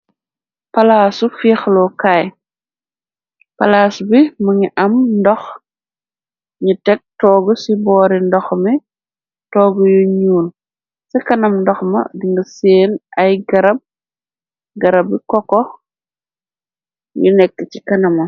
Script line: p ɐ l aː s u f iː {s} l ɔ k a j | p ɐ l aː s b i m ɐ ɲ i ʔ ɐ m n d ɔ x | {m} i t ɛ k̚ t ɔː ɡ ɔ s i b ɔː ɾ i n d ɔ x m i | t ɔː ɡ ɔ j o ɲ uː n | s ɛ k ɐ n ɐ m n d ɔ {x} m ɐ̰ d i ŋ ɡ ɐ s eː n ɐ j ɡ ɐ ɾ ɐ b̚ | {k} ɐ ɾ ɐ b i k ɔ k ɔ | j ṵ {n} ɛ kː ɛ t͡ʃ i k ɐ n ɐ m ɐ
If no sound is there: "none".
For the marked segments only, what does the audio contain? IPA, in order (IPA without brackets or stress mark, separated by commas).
x, ɲ, x, ɡ, n